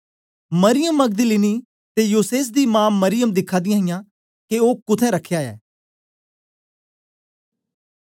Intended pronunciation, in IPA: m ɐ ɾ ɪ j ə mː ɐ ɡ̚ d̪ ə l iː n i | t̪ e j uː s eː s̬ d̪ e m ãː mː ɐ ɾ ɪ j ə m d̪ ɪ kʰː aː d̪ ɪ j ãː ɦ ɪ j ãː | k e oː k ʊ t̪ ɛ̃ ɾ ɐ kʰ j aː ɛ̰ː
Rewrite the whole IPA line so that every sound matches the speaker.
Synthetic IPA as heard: m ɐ ɾ ɪ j ə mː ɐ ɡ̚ d̪ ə l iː n i | t̪ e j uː s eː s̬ d̪ i m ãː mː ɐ ɾ ɪ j ə m d̪ ɪ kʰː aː d̪ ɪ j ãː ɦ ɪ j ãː | k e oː k ʊ t̪ʰ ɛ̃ ɾ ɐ kʰ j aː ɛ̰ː